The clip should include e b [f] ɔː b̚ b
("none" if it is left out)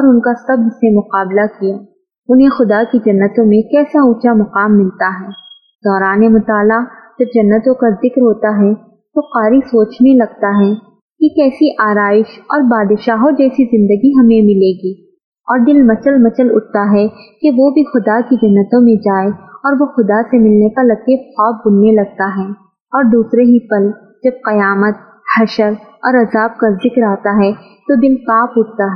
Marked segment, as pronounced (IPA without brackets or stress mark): x